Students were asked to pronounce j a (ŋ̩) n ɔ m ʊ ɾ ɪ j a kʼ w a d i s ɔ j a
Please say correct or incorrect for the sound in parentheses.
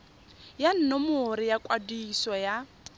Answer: incorrect